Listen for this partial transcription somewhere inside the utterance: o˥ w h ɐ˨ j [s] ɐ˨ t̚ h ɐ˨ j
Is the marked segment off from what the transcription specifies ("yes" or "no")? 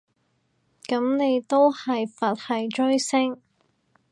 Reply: yes